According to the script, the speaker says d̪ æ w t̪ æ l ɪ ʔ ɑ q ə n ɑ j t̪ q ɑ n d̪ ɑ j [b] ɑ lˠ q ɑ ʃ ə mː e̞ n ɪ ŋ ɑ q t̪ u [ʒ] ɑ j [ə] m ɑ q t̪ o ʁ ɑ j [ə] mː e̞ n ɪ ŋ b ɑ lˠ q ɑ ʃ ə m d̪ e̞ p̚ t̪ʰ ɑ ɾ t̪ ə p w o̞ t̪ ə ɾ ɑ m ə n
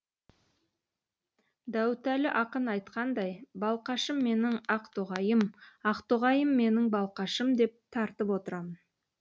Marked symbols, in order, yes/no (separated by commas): yes, no, yes, yes